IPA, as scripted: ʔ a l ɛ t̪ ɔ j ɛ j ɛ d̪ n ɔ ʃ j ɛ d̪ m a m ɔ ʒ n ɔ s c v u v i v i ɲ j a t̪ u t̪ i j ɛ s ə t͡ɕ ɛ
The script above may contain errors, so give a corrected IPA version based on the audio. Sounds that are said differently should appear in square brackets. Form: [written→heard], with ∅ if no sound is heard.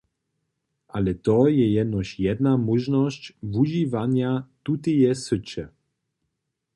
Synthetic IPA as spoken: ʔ a l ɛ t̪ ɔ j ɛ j ɛ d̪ n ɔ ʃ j ɛ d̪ [m→n] a m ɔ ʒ n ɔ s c v u [v→ʒ] i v [i→a] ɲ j a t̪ u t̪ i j ɛ s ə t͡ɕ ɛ